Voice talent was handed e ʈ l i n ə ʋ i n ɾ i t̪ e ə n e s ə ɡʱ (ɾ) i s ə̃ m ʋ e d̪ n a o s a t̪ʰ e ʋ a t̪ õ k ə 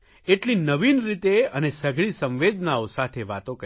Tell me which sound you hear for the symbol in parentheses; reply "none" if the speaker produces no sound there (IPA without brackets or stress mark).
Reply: ɭ